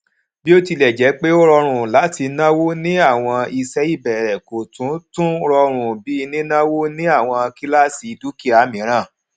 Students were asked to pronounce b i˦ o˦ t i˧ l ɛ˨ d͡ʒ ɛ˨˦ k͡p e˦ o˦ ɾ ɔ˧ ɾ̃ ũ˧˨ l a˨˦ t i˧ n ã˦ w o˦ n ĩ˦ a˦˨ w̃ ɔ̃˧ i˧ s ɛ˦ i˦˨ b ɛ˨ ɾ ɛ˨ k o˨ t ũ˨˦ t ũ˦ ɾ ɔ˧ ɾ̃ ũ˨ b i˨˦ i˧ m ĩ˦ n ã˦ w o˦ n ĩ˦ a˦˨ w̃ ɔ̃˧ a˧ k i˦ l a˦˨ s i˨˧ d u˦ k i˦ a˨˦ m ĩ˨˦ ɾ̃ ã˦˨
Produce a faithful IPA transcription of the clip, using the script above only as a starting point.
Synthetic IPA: b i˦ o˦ t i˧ l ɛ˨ d͡ʒ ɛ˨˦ k͡p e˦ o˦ ɾ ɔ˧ ɾ̃ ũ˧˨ l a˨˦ t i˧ n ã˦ w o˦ n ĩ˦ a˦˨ w̃ ɔ̃˧ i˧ s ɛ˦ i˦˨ b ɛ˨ ɾ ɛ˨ k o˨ t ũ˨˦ t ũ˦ ɾ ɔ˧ ɾ̃ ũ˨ b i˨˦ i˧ n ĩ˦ n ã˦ w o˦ n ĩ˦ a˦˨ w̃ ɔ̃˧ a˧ k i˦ l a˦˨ s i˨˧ d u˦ k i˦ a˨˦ m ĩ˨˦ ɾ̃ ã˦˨